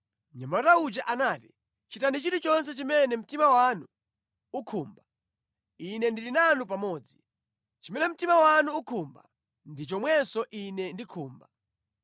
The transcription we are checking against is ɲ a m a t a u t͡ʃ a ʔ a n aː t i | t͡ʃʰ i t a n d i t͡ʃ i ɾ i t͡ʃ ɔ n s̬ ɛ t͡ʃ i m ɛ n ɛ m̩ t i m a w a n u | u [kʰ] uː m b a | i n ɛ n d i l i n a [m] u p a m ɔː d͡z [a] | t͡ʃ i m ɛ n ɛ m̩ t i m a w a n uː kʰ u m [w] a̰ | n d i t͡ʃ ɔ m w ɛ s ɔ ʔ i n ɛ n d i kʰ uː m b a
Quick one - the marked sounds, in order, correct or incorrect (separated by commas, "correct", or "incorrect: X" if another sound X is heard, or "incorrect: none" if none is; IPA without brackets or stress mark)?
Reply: correct, incorrect: n, incorrect: i, incorrect: b